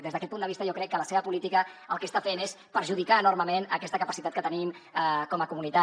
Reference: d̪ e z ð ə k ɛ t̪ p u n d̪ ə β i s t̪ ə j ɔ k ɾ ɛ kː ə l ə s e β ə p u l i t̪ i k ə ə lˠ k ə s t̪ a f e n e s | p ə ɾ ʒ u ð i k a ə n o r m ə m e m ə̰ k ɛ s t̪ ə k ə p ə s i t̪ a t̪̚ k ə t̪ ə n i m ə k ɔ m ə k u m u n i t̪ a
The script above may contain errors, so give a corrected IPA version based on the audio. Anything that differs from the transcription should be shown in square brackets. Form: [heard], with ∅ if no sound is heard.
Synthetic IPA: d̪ e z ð ə k ɛ t̪ p u n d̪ ə β i s t̪ ə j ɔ k ɾ ɛ kː ə l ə s e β ə p u l i t̪ i k ə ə lˠ k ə s t̪ a f e n e s | p ə ɾ ʒ u ð i k a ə n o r m ə m e [n] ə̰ k ɛ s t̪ ə k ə p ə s i t̪ a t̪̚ k ə t̪ ə n i m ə k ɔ m ə k u m u n i t̪ a